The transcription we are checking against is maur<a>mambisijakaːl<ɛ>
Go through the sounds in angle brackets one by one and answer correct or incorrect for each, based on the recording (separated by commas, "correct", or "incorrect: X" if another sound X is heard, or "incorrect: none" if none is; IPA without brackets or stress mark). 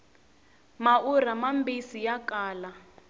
correct, incorrect: a